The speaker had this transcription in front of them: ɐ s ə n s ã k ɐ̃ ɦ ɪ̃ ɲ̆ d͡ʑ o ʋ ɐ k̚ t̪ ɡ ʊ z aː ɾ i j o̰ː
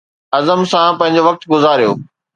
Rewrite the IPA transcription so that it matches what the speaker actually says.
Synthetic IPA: ɐ z ə m s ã p ɐ̃ ɦ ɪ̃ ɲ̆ d͡ʑ o ʋ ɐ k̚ t̪ ɡ ʊ z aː ɾ i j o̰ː

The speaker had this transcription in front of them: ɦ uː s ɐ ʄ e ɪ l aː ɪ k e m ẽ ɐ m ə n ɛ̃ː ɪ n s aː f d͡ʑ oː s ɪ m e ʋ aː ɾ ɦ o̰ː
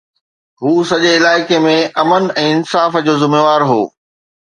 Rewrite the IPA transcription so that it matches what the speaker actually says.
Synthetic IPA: ɦ uː s ɐ ʄ e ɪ l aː ɪ k e m ẽ ɐ m ə n ɛ̃ː ɪ n s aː f d͡ʑ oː z ɪ m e ʋ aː ɾ ɦ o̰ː

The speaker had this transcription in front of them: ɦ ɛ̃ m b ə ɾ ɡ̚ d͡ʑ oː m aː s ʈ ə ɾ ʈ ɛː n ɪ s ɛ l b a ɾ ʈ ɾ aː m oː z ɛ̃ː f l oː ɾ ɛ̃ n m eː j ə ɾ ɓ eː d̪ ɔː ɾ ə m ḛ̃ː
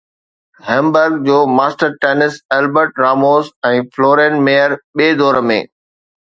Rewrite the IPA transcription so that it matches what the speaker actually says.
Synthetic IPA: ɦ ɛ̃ m b ə ɾ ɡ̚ d͡ʑ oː m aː s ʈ ə ɾ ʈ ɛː n ɪ s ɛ l b ə ɾ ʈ ɾ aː m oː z ɛ̃ː f l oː ɾ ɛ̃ n m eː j ə ɾ ɓ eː d̪ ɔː ɾ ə m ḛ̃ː

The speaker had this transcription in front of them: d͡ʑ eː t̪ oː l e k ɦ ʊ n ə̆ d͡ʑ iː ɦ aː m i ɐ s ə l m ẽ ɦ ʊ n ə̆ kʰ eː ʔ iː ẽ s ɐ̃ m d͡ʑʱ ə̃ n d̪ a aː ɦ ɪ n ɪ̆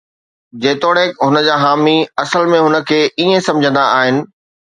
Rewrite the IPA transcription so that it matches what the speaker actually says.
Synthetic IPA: d͡ʑ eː t̪ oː ɽ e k ɦ ʊ n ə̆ d͡ʑ aː ɦ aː m i ɐ s ə l m ẽ ɦ ʊ n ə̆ kʰ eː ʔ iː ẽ s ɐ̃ m d͡ʑʱ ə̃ n d̪ a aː ɦ ɪ n ɪ̆

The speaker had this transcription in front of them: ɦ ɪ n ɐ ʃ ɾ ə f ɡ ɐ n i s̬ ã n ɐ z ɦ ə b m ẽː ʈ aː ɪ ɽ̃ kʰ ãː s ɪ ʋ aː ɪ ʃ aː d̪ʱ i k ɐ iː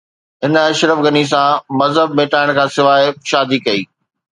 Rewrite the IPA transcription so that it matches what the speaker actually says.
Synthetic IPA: ɦ ɪ n ɐ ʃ ɾ ə f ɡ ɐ n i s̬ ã m ɐ z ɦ ə b m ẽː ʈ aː ɪ ɽ̃ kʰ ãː s ɪ ʋ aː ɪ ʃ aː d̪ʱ i k ɐ iː

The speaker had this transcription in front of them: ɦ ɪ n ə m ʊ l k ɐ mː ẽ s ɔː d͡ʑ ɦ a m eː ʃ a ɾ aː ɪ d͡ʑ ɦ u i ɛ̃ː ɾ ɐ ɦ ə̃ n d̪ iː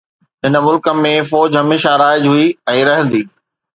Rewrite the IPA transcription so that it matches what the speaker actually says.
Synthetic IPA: ɦ ɪ n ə m ʊ l k ə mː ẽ f ɔː d͡ʑ ɦ ɐ m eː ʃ a ɾ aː ɪ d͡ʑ ɦ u i ɛ̃ː ɾ ɐ ɦ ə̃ n d̪ iː

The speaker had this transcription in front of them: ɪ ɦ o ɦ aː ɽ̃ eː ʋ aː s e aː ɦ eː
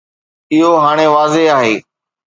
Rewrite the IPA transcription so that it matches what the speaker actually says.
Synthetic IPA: ɪ ɦ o ɦ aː ɽ̃ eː ʋ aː z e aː ɦ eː

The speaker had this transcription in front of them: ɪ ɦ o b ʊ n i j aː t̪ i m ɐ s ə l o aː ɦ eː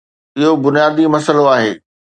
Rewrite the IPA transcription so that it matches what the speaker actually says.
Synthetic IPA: ɪ ɦ o b ʊ n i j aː d̪ i m ɐ s ə l o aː ɦ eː

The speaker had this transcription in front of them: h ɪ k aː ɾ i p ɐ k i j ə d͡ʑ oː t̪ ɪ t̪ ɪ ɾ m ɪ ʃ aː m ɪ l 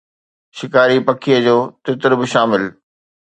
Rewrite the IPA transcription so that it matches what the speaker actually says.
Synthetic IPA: ʃ ɪ k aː ɾ i p ɐ kʰ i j ə d͡ʑ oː t̪ ɪ t̪ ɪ ɾ b ɪ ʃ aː m ɪ l

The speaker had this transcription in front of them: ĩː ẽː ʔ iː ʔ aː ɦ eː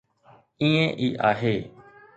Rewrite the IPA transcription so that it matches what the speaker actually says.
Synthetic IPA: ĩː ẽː ʔ iː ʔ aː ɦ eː

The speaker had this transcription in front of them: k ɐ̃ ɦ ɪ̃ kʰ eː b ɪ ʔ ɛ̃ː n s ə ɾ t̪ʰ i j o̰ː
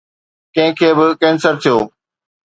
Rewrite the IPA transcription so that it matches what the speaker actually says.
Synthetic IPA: k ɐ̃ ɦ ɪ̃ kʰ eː b ɪ k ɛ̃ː n s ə ɾ t̪ʰ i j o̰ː

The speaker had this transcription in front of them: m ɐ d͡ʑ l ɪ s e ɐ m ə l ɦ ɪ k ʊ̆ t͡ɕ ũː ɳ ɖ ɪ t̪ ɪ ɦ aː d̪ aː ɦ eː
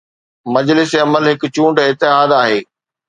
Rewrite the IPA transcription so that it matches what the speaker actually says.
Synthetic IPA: m ɐ d͡ʑ l ɪ s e ɐ m ə l ɦ ɪ k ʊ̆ t͡ɕ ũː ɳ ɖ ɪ t̪ ɪ ɦ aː d̪ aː ɦ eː

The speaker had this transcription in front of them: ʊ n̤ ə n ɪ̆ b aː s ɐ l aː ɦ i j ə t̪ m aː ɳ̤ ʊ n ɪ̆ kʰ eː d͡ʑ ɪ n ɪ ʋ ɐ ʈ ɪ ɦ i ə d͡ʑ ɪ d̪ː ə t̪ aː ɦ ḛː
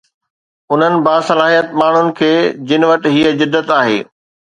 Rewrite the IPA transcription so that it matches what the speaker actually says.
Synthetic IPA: ʊ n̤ ə n ɪ̆ b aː s ɐ l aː ɦ i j ə t̪ m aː ɳ̤ ʊ n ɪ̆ kʰ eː d͡ʑ ɪ n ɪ ʋ ɐ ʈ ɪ ɦ i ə d͡ʑ ɪ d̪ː ə t̪ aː ɦ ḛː

